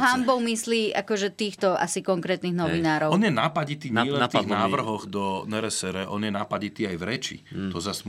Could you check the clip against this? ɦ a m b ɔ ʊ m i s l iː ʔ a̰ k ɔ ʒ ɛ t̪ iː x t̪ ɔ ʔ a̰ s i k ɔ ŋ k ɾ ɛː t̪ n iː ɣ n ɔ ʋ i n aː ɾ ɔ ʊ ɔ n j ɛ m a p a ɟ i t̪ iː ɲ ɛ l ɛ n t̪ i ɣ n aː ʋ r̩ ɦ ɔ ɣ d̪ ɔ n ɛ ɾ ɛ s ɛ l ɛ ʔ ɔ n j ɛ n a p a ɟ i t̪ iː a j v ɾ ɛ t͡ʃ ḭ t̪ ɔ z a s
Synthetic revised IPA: ɦ a m b ɔ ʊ m i s l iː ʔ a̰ k ɔ ʒ ɛ t̪ iː x t̪ ɔ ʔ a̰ s i k ɔ ŋ k ɾ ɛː t̪ n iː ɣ n ɔ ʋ i n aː ɾ ɔ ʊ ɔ n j ɛ n a p a ɟ i t̪ iː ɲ ɛ l ɛ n t̪ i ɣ n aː ʋ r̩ ɦ ɔ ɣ d̪ ɔ n ɛ ɾ ɛ s ɛ ɾ ɛ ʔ ɔ n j ɛ n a p a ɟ i t̪ iː a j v ɾ ɛ t͡ʃ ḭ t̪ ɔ z a s